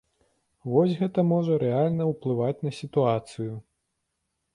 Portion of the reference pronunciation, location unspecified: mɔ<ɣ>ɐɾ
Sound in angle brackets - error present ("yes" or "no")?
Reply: yes